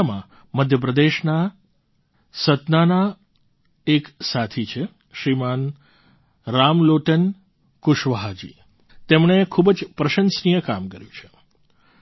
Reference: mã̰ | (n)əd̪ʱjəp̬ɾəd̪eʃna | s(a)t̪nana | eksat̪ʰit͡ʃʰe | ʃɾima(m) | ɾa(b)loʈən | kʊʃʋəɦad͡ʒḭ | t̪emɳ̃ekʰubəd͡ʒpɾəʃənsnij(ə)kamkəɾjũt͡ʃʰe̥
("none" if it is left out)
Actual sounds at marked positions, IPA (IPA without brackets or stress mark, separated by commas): m, ə, n, m, ə